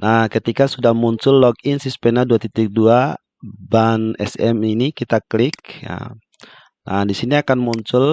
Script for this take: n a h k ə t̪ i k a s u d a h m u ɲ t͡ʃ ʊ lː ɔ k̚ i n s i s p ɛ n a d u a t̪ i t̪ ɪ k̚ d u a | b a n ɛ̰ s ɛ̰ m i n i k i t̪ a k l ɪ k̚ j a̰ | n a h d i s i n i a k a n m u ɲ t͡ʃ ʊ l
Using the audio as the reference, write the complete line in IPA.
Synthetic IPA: n a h k ə t̪ i k a s u d a h m u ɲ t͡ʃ ʊ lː ɔ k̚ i n s i s p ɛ n a d u a t̪ i t̪ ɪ k̚ d u a | b a n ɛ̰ s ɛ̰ m i n i k i t̪ a k l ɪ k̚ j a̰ | n a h d i s i n i a k a n m u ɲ t͡ʃ ʊ l